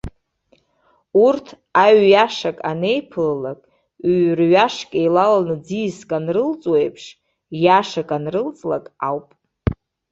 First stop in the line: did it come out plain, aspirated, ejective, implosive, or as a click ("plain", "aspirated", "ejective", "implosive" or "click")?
aspirated